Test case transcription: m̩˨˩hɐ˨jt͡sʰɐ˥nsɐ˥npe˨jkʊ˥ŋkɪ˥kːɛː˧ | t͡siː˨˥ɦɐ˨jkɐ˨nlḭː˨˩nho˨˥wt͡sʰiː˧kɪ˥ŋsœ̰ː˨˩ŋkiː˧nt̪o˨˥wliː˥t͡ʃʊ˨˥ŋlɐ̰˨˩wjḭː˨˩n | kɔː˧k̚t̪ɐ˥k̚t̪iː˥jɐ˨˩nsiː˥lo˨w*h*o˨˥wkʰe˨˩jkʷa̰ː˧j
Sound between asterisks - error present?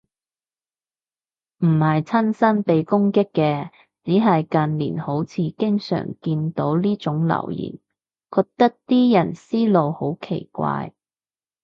no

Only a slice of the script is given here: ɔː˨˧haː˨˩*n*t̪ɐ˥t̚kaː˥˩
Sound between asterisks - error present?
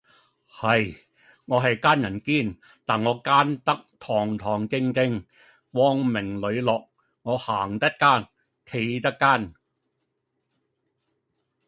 yes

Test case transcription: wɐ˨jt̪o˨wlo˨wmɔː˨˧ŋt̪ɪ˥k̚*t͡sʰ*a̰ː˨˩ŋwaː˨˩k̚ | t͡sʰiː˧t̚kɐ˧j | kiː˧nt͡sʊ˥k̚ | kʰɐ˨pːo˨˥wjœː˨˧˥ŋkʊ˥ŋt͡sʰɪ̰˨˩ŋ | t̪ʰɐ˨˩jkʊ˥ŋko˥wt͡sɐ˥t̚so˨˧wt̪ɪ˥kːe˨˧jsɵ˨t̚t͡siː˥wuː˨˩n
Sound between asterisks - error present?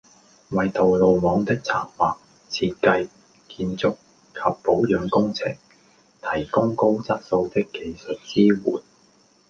no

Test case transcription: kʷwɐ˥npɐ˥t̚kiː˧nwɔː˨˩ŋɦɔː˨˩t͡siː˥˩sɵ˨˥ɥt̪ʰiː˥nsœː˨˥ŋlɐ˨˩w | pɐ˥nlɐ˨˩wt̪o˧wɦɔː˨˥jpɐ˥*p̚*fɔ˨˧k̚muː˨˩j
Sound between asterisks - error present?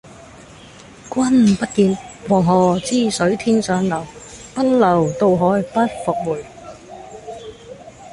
yes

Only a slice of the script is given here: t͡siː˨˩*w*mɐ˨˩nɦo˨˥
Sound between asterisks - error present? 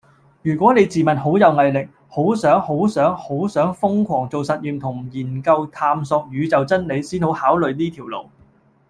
yes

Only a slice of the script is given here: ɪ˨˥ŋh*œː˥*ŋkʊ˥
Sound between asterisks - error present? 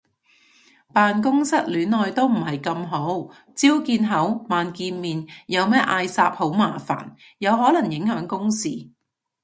yes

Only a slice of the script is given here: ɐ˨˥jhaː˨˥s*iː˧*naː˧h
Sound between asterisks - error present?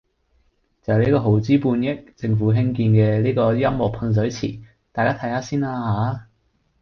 yes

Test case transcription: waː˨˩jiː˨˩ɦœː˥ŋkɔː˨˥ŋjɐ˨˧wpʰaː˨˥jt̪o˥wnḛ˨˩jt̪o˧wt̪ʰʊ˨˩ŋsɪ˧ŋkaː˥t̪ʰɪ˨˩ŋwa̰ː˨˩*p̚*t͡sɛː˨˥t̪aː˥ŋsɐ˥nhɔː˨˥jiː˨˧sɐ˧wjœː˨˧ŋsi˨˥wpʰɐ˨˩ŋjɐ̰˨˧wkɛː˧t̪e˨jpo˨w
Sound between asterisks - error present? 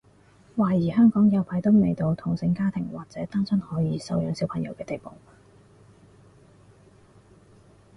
yes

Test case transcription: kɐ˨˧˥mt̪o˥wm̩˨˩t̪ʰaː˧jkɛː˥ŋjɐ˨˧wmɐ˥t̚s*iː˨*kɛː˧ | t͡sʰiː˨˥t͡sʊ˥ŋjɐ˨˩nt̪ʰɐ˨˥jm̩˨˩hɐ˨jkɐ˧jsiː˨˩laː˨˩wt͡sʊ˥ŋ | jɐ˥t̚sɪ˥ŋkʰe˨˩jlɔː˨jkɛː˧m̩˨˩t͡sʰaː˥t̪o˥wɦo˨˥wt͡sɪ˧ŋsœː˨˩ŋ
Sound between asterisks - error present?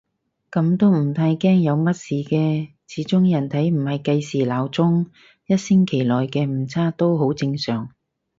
no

